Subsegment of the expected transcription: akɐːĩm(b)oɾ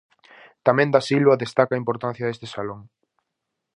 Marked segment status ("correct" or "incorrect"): incorrect